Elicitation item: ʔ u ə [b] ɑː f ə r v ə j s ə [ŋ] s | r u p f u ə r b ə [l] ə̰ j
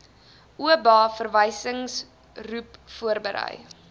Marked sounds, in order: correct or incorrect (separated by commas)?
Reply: correct, correct, incorrect